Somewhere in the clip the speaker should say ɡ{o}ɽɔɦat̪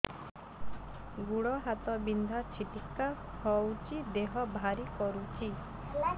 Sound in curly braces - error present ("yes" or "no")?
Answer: yes